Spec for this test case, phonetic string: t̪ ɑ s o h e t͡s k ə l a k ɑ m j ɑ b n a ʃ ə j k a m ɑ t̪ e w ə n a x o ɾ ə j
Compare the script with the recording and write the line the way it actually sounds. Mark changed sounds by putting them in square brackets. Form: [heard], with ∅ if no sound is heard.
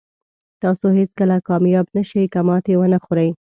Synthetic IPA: t̪ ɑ s o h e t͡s k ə l a k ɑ m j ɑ b n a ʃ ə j k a m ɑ t̪ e w ə n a x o ɾ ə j